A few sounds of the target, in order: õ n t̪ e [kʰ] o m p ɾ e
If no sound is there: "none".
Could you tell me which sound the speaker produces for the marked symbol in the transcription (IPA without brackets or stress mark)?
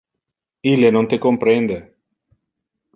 k